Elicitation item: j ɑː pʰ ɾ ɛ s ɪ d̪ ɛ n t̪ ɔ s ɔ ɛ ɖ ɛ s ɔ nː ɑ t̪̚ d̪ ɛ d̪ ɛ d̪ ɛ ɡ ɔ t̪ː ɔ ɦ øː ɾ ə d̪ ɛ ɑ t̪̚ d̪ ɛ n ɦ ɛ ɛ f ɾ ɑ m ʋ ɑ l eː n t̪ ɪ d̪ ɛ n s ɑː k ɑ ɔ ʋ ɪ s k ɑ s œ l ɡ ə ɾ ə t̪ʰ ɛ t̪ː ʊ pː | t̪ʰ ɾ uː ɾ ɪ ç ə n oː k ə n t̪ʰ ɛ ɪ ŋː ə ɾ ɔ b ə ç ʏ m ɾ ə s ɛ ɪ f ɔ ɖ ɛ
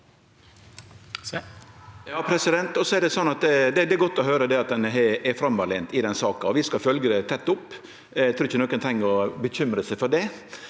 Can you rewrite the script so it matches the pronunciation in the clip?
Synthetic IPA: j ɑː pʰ ɾ ɛ s ɪ d̪ ɛ n t̪ ɔ s ɔ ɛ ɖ ɛ s ɔ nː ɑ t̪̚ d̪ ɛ d̪ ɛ d̪ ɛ ɡ ɔ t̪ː ɔ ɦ øː ɾ ə d̪ ɛ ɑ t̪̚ d̪ ɛ n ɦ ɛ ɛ f ɾ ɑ m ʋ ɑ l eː n t̪ ɪ d̪ ɛ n s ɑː k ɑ ɔ ʋ ɪ s k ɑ f œ l ɡ ə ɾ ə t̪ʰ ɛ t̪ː ʊ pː | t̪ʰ ɾ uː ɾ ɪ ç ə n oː k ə n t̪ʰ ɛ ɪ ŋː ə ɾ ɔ b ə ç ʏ m ɾ ə s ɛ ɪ f ɔ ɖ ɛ